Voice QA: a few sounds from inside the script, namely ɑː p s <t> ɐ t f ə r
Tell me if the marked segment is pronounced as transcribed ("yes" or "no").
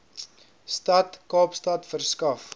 yes